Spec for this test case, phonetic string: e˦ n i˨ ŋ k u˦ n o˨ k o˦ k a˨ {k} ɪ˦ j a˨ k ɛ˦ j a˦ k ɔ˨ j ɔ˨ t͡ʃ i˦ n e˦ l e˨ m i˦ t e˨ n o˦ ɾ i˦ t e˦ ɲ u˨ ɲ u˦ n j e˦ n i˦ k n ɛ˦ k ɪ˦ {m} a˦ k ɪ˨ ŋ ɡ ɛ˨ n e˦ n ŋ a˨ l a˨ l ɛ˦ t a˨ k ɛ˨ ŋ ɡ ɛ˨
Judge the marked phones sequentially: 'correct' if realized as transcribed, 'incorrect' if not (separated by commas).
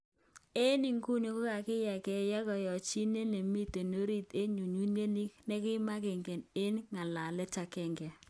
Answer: correct, correct